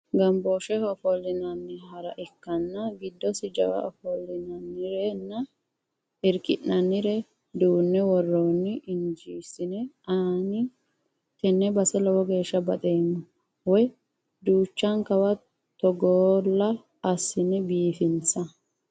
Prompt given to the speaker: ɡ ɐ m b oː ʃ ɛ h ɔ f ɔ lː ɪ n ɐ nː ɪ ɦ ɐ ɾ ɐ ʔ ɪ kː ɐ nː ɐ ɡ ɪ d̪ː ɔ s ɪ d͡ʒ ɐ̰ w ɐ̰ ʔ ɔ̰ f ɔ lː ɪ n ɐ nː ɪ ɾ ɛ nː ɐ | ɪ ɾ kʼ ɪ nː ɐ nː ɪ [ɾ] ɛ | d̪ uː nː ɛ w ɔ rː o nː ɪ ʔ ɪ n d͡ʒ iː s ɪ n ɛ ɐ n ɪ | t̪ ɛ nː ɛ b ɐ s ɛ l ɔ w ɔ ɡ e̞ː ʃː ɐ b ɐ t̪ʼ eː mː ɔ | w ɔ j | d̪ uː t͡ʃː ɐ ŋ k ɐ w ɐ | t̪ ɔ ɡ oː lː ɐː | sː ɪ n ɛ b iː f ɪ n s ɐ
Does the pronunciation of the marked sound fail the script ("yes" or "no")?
no